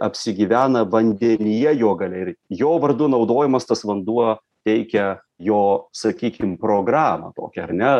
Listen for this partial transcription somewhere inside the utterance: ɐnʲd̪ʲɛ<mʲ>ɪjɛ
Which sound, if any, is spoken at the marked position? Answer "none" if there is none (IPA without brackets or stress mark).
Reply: nʲ